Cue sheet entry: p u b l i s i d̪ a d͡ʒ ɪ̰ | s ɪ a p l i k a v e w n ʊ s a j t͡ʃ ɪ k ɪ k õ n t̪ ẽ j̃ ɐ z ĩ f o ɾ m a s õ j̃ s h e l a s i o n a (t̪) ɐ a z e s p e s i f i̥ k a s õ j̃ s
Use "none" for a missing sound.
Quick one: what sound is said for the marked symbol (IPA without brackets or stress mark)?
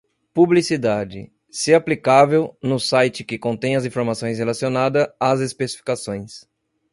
d̪